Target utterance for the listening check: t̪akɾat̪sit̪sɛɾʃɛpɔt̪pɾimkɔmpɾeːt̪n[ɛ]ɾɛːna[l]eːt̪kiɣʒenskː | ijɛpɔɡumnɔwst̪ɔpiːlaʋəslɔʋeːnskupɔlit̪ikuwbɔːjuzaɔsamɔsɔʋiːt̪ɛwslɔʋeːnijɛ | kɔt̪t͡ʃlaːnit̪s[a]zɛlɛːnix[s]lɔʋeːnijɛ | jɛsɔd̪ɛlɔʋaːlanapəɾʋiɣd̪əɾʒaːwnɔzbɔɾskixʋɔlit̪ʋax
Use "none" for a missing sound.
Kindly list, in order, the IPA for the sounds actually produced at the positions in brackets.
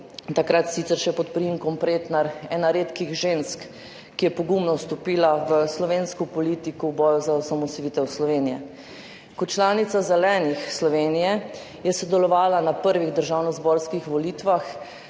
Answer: a, ɾ, a, s

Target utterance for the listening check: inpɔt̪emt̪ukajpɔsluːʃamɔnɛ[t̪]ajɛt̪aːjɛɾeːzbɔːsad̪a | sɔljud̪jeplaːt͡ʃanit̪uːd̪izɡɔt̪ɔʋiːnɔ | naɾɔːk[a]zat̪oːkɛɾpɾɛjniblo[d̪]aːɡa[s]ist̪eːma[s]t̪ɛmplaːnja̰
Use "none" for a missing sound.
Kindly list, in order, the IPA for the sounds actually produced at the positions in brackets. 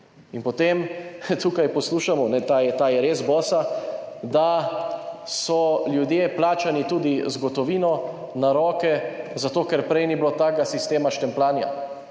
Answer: t̪, ɛ, t̪, s, ʃ

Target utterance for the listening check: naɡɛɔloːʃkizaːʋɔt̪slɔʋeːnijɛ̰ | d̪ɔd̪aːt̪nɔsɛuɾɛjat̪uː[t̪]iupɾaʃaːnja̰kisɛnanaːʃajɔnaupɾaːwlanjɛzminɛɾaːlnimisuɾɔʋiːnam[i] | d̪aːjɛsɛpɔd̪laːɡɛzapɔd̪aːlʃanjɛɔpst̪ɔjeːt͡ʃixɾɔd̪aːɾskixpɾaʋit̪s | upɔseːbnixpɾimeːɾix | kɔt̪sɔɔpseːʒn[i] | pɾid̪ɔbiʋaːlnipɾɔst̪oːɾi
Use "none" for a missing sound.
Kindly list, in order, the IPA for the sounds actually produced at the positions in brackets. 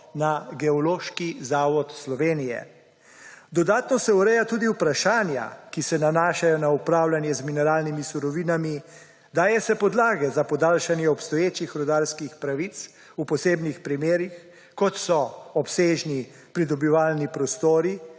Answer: d̪, i, i

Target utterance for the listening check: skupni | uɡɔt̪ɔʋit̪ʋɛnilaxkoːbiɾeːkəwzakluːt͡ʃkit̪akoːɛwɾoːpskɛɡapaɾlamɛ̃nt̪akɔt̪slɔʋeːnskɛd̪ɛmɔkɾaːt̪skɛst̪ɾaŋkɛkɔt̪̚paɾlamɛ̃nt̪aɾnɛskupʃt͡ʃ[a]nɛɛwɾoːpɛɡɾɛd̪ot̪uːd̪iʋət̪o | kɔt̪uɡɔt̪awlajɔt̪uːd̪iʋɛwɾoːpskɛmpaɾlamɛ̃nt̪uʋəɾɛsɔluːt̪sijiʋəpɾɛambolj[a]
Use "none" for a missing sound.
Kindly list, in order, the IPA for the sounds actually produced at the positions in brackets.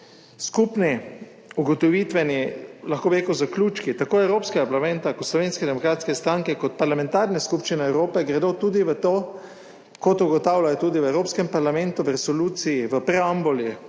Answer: i, i

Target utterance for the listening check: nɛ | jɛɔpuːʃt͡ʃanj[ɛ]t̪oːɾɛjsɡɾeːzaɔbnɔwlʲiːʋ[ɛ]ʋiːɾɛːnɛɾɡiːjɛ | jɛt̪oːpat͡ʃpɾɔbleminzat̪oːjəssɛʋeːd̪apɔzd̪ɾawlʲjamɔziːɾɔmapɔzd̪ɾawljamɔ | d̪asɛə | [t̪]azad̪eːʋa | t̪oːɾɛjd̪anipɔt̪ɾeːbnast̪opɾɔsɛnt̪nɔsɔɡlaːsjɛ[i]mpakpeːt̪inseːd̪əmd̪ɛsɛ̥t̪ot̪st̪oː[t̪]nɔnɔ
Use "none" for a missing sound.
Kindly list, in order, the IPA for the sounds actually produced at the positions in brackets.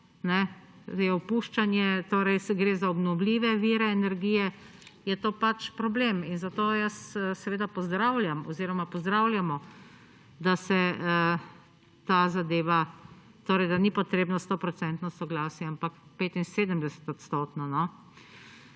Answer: ɛ, ɛ, t̪, a, t̪

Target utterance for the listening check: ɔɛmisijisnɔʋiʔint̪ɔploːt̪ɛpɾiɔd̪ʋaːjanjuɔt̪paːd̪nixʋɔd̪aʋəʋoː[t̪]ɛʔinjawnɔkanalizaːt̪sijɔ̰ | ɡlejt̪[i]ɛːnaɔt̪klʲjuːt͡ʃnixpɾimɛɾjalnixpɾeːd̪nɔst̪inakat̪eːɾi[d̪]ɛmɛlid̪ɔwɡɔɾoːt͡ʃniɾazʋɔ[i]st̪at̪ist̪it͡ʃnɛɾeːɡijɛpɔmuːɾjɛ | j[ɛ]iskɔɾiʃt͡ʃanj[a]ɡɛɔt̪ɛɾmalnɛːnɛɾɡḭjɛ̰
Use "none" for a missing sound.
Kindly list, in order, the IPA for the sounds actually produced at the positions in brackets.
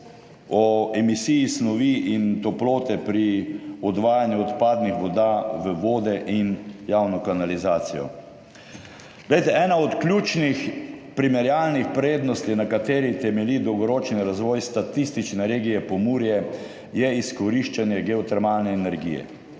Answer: d̪, ɛ, t̪, j, ɛ, ɛ

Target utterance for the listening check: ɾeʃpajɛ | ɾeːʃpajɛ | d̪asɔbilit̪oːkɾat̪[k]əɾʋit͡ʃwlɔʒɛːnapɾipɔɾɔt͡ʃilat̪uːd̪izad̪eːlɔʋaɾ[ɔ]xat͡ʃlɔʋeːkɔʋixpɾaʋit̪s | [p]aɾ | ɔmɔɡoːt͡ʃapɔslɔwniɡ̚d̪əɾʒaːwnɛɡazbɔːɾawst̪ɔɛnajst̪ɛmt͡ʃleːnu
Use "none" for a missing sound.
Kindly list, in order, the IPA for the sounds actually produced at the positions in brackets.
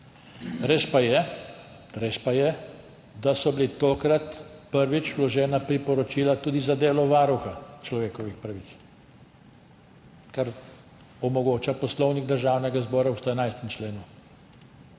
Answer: p, u, k

